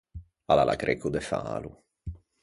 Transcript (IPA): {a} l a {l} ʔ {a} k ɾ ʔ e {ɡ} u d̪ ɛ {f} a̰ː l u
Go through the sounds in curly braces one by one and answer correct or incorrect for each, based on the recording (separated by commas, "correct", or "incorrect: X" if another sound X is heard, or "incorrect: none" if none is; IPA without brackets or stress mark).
correct, correct, correct, incorrect: k, correct